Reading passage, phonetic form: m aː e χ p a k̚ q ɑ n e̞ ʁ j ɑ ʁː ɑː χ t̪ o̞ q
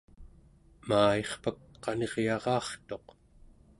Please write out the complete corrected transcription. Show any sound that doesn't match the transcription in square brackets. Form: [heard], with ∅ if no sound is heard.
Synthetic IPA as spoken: m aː e χ p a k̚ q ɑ n e̞ ʁ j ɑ [ʁ] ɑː χ t̪ o̞ q